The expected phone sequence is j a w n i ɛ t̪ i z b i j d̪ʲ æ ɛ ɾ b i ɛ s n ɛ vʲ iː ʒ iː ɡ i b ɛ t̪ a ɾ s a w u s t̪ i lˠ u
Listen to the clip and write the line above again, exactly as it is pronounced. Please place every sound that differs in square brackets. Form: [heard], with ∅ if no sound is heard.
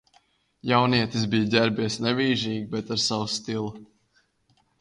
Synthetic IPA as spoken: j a w n i ɛ t̪ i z b i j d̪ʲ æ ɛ ɾ b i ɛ s n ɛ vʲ iː ʒ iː ɡ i b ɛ t̪ a ɾ s a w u s t̪ i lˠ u